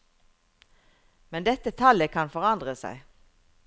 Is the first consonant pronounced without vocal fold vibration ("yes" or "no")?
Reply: no